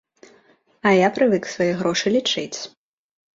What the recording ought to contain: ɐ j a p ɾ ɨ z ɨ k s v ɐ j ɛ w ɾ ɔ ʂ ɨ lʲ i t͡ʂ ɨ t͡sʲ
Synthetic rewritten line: ɐ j a p ɾ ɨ v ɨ k s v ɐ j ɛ ɣ ɾ ɔ ʂ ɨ lʲ i t͡ʂ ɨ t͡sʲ